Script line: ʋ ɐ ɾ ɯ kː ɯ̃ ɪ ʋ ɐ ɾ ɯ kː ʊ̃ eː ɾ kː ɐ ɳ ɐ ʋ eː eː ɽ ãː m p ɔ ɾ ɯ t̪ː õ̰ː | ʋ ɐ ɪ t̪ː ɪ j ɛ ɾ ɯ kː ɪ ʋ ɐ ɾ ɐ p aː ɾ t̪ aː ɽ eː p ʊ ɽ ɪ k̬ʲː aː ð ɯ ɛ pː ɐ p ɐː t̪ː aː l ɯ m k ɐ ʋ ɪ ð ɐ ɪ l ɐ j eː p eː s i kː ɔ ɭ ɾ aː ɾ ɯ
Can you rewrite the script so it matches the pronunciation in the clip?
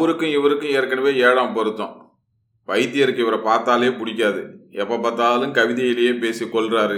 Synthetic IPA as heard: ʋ ɐ ɾ ɯ kː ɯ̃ ɪ ʋ ɐ ɾ ɯ kː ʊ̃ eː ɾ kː ɐ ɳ ɐ ʋ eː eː ɽ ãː m p ɔ ɾ ɯ t̪ː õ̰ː | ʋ ɐ ɪ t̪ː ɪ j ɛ ɾ ɯ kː ɪ ʋ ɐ ɾ ɐ p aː ɾ t̪ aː l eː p ʊ ɽ ɪ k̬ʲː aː ð ɯ ɛ pː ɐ p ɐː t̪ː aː l ɯ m k ɐ ʋ ɪ ð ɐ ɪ l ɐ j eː p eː s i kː ɔ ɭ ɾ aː ɾ ɯ